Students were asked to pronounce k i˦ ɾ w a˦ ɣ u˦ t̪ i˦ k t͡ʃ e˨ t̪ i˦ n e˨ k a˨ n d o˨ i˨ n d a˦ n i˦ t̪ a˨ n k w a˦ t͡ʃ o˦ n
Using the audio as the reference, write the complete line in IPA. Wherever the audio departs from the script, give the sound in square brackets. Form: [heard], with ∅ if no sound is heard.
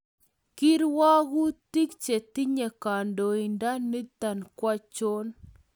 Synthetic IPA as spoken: k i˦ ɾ w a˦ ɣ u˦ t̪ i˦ k t͡ʃ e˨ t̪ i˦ [ɲ] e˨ k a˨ n d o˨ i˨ n d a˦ n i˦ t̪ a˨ n k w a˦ t͡ʃ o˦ n